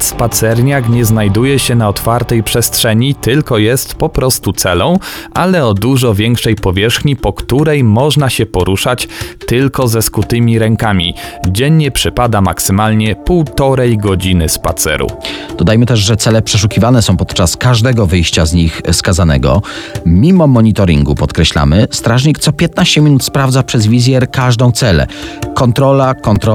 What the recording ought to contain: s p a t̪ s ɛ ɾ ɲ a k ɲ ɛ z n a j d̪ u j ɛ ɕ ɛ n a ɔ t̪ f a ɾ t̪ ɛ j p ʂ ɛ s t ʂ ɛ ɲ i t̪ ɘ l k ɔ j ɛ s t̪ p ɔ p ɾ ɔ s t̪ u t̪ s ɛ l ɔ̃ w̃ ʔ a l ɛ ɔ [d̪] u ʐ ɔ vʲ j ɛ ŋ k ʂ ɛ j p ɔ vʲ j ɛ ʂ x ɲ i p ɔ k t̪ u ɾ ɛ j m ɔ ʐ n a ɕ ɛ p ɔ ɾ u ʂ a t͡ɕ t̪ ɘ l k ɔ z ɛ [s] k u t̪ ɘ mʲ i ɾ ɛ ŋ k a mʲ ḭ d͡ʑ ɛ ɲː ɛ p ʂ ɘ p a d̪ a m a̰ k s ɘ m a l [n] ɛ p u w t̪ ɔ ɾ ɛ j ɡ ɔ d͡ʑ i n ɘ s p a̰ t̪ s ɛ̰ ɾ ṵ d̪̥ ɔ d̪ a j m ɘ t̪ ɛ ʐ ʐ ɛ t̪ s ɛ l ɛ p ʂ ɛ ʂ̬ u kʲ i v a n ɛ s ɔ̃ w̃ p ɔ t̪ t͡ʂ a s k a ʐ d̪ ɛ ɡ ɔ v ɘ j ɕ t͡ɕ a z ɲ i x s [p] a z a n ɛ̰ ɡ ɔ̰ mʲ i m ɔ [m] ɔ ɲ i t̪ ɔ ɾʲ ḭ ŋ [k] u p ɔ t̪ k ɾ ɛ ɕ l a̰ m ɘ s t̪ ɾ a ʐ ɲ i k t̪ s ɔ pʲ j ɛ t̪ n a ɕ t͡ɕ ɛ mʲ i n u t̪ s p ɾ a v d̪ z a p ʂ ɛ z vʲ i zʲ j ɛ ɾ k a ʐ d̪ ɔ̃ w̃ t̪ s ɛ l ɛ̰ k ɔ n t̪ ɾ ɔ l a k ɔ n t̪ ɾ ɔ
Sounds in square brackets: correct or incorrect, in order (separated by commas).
correct, correct, incorrect, incorrect, correct, incorrect